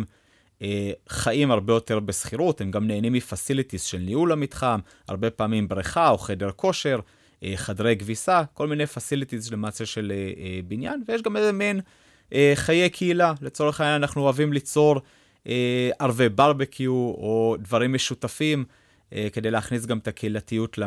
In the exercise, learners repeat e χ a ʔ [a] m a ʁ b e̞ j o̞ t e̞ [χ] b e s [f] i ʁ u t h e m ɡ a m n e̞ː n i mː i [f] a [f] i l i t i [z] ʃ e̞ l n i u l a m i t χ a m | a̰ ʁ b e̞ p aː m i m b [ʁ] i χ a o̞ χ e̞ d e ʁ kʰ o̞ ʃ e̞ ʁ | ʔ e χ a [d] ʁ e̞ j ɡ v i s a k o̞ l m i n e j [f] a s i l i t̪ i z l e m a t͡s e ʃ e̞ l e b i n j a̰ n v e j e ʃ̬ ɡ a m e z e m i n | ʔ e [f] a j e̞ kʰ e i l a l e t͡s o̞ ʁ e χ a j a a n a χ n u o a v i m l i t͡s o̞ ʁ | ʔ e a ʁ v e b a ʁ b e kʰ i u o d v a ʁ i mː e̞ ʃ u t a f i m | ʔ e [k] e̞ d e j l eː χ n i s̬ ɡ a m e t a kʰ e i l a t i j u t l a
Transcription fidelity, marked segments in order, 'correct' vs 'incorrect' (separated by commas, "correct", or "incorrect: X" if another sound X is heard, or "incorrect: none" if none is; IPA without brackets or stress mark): incorrect: i, incorrect: ʁ, incorrect: χ, correct, incorrect: s, correct, correct, correct, correct, incorrect: χ, correct